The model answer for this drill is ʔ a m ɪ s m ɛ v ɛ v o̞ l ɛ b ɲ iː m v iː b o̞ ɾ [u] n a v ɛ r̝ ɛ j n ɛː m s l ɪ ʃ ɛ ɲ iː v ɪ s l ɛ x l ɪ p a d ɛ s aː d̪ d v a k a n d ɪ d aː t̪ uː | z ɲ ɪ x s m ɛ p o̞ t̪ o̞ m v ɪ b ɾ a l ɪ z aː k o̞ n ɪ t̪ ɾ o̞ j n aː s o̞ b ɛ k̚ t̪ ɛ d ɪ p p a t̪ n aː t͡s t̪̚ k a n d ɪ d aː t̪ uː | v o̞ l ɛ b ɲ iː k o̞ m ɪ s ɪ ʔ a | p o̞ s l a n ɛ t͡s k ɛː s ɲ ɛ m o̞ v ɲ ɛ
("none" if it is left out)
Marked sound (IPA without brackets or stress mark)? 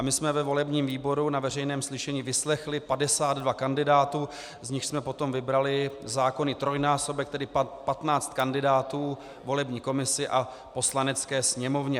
u